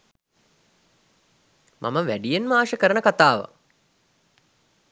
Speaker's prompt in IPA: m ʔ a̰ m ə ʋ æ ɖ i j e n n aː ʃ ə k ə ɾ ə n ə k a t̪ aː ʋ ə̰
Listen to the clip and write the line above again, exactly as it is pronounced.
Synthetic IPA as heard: m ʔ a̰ m ə ʋ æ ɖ i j e n m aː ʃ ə k ə ɾ ə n ə k a t̪ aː ʋ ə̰